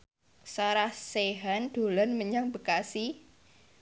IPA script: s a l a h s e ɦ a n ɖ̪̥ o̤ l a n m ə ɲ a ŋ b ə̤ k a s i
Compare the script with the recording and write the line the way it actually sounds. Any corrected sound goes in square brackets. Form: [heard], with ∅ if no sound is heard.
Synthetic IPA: s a [ɾ] a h s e ɦ a n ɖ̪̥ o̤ l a n m ə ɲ a ŋ b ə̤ k a s i